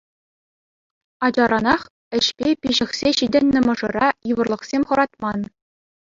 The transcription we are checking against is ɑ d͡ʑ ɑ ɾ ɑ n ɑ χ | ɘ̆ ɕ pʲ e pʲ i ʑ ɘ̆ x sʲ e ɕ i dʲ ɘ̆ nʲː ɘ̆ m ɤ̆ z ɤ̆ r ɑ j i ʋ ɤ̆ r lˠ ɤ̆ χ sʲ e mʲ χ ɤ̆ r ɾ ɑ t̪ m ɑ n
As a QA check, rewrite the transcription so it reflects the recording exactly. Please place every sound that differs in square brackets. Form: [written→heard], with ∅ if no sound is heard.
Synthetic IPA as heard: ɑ d͡ʑ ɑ ɾ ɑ n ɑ χ | ɘ̆ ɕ pʲ e pʲ i ʑ ɘ̆ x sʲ e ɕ i dʲ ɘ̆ nʲː ɘ̆ m ɤ̆ [z→ʐ] ɤ̆ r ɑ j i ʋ ɤ̆ r lˠ ɤ̆ χ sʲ e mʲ χ ɤ̆ [r→∅] ɾ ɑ t̪ m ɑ n